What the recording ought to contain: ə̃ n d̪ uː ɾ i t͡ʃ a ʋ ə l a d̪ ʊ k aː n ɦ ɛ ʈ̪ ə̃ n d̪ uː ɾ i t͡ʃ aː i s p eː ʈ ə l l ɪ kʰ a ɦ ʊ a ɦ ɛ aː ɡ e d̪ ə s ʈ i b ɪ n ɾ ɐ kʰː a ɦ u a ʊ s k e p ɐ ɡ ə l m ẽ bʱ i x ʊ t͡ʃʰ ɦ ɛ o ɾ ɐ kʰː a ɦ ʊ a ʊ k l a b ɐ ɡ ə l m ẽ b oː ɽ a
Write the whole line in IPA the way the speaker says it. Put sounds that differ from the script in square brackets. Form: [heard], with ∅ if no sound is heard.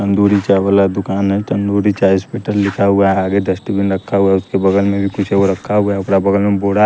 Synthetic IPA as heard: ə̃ n d̪ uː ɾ i t͡ʃ a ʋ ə l a d̪ ʊ k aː n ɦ ɛ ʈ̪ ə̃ n d̪ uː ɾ i t͡ʃ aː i s p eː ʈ ə l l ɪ kʰ a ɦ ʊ a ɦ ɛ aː ɡ e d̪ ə s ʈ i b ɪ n ɾ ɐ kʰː a ɦ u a ʊ s k e [b] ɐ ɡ ə l m ẽ bʱ i [k] ʊ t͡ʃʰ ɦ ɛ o ɾ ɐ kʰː a ɦ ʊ a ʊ k [ɾ] a b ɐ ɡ ə l m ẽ b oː ɽ a